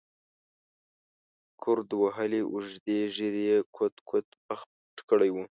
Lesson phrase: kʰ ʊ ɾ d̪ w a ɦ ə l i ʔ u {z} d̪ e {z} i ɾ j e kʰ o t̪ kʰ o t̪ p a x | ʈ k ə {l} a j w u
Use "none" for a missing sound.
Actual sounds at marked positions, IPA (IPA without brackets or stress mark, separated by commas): ʒ, ʒ, ɽ